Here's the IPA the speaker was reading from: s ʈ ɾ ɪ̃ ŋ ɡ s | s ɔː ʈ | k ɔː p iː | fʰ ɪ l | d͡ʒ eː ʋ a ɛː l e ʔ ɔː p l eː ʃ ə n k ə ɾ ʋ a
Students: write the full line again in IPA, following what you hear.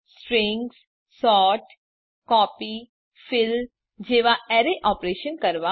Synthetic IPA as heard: s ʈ ɾ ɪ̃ ŋ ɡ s | s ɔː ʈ | k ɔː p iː | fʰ ɪ l | d͡ʒ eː ʋ a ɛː ɾ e ʔ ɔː p ɾ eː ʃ ə n k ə ɾ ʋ a